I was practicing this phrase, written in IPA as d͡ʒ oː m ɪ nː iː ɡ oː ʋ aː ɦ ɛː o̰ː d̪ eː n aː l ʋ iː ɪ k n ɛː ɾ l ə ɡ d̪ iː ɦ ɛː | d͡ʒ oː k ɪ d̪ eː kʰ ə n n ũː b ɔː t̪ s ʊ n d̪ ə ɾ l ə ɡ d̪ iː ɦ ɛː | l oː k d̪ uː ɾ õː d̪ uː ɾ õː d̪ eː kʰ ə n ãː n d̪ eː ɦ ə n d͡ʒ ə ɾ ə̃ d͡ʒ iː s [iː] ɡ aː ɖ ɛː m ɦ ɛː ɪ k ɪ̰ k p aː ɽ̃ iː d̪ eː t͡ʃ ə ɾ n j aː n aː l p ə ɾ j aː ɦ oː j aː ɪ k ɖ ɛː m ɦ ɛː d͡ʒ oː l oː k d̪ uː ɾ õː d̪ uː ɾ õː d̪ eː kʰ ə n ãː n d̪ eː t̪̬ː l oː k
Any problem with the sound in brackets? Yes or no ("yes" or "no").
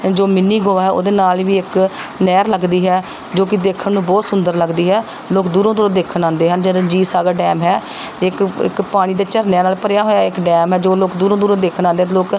yes